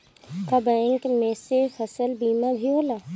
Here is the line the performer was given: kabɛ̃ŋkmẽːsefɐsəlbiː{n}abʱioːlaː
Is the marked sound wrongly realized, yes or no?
yes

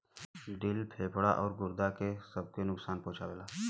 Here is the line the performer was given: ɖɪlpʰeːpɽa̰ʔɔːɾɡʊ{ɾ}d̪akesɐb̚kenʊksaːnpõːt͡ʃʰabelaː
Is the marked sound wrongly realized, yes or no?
no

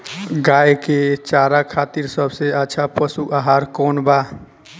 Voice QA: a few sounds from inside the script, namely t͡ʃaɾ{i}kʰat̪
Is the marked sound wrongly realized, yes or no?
yes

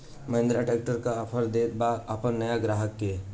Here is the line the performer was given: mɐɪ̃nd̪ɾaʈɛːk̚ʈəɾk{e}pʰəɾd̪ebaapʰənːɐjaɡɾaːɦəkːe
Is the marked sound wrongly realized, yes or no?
yes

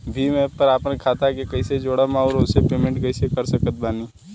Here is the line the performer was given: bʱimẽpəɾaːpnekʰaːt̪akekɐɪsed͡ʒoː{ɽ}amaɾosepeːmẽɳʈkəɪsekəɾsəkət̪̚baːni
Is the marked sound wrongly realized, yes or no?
no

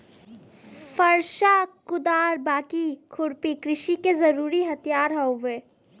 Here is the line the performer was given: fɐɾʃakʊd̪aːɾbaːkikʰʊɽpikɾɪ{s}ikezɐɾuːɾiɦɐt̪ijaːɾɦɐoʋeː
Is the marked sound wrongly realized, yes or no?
yes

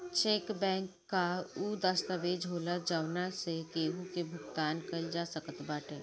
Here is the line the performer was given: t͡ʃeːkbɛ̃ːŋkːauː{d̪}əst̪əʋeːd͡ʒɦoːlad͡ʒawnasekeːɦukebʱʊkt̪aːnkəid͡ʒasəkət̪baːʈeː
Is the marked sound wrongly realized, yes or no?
no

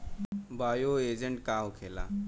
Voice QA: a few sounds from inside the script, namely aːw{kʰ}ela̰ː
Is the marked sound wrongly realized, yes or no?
no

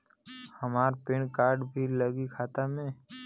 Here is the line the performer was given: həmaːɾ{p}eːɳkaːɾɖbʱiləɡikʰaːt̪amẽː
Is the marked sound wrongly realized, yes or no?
no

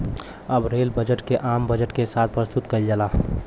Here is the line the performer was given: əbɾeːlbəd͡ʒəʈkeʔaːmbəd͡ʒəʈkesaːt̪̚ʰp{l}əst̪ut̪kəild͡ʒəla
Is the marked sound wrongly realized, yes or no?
yes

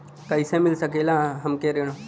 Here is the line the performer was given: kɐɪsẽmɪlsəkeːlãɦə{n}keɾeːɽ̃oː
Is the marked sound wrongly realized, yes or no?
yes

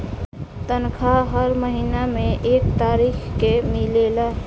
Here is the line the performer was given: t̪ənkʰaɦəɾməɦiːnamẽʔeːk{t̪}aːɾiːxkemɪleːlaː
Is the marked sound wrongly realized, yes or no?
no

